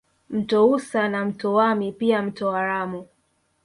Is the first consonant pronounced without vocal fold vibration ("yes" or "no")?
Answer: no